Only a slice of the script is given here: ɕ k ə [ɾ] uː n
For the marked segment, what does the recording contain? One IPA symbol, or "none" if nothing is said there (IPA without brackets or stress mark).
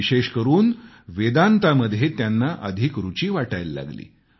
ɾ